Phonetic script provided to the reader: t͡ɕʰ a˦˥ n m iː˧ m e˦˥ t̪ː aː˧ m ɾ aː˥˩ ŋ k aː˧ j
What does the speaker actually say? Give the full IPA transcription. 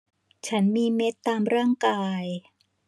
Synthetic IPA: t͡ɕʰ a˦˥ n m iː˧ m e˦˥ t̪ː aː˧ m ɾ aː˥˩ ŋ k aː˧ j